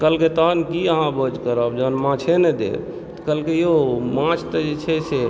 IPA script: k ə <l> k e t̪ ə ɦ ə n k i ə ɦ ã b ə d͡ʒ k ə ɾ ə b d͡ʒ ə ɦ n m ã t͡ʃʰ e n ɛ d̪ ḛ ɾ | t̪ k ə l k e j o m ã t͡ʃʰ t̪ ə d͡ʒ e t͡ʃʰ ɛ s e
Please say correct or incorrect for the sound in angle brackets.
correct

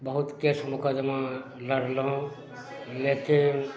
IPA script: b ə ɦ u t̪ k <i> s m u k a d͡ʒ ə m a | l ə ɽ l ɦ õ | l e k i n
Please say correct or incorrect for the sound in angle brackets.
incorrect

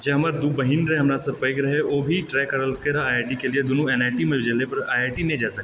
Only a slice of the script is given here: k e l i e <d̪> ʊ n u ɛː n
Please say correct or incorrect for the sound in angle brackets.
correct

